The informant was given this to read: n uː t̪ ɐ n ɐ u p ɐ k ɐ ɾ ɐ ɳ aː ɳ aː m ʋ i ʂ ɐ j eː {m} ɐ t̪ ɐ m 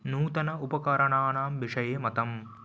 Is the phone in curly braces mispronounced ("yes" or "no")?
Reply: no